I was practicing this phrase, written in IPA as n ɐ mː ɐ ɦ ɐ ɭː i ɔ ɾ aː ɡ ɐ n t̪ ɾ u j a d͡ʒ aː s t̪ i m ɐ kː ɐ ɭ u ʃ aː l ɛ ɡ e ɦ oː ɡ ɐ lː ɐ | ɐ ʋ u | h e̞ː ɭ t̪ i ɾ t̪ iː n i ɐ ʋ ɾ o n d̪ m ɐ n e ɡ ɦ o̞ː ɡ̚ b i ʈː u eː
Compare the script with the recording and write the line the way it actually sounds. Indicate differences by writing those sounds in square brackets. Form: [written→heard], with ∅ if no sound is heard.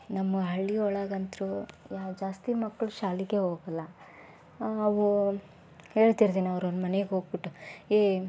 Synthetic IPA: n ɐ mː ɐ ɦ ɐ ɭː i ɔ [ɾ→ɭ] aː ɡ ɐ n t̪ ɾ u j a d͡ʒ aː s t̪ i m ɐ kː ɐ ɭ u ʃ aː l [ɛ→i] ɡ e ɦ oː ɡ ɐ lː ɐ | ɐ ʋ u | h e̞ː ɭ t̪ i ɾ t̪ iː n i ɐ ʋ ɾ o n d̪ m ɐ n e ɡ ɦ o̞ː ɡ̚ b i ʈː u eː